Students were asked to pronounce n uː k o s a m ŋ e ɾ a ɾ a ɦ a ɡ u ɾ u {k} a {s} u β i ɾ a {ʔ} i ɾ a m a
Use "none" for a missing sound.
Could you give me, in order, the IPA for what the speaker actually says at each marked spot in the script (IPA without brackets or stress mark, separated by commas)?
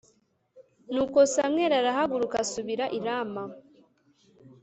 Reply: k, s, ʔ